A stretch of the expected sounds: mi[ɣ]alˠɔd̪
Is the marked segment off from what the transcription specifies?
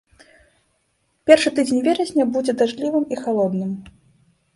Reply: yes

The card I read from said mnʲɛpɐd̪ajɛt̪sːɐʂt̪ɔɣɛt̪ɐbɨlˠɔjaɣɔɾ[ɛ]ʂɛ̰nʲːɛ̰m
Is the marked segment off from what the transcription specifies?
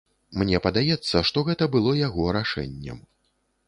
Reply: yes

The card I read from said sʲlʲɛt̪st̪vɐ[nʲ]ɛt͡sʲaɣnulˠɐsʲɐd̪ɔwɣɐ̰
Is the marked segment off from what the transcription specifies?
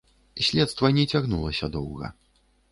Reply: no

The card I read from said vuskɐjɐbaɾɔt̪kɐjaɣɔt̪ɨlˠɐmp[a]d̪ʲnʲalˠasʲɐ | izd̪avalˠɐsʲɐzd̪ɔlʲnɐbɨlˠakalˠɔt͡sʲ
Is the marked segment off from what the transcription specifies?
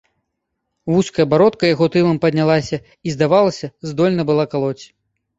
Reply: yes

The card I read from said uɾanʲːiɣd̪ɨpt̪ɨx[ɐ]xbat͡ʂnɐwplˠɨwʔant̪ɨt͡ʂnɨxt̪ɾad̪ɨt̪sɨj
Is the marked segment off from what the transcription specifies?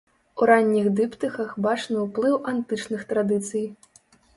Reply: no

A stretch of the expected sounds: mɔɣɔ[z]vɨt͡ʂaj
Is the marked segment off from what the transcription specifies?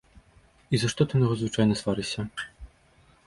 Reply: no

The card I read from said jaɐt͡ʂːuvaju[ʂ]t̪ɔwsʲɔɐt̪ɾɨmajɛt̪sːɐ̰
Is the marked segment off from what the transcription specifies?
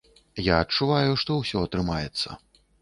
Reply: no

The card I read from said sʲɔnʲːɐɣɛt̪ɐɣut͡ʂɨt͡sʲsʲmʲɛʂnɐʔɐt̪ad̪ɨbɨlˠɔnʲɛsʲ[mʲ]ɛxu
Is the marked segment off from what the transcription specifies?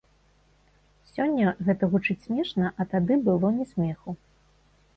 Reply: no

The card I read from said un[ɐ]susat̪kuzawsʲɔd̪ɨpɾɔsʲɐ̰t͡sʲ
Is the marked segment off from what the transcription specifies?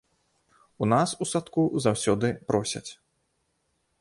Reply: yes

